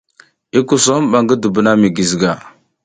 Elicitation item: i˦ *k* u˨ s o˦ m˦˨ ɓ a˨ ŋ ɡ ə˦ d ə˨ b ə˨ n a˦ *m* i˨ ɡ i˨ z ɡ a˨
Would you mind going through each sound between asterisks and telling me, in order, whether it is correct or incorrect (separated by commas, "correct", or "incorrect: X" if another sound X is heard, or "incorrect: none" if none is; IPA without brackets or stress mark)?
correct, correct